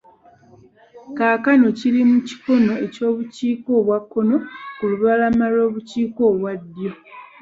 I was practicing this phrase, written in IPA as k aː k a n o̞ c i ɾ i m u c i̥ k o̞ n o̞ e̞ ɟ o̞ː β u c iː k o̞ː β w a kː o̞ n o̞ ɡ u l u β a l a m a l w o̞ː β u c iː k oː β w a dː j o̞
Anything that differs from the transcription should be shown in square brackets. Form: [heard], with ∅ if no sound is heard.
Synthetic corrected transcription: k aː k a n o̞ c i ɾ i m u c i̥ k o̞ n o̞ e̞ [c] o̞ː β u c iː k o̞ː β w a kː o̞ n o̞ [k] u l u β a l a m a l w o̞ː β u c iː k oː β w a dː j o̞